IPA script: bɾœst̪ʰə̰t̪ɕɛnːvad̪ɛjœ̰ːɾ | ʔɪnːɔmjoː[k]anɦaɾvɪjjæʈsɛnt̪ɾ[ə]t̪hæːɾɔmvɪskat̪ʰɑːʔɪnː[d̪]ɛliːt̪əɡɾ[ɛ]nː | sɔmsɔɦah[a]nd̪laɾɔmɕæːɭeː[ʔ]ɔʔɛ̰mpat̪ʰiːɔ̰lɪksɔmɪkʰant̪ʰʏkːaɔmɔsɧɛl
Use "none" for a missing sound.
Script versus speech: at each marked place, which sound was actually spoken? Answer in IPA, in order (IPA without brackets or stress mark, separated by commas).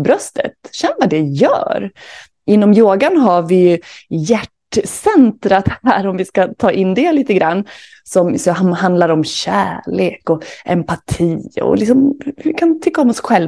ɡ, a, d̪, a, a, k